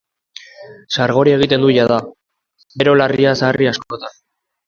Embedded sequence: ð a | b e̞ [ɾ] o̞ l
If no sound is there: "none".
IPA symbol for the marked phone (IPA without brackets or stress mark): ɾ